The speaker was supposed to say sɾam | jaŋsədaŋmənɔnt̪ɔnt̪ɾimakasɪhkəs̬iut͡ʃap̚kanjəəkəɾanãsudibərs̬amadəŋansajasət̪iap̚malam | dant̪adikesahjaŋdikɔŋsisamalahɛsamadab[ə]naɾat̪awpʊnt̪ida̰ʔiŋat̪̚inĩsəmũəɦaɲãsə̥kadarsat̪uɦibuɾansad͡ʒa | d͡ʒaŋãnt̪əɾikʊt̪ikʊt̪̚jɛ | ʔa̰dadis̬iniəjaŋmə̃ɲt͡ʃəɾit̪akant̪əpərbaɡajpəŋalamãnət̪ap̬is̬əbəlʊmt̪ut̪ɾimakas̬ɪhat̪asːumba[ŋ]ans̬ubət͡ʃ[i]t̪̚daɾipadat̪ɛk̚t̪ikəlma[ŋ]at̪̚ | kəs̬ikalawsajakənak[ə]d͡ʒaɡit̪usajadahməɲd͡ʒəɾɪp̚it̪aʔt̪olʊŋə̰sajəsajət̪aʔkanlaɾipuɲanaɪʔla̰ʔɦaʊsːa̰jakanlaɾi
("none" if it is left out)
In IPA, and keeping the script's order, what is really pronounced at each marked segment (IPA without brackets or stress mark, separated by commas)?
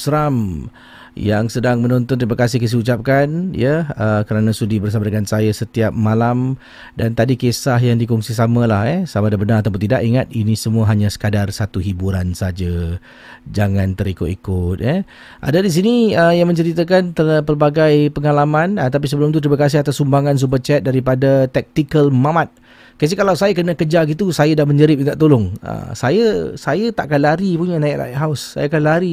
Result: ə, ŋ, ɛ, m, ə